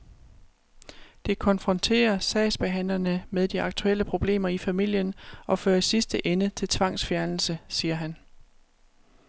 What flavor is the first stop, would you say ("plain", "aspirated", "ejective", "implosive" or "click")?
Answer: plain